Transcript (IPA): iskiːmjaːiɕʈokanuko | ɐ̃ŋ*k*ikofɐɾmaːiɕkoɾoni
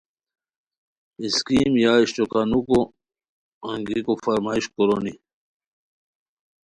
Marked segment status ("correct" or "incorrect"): incorrect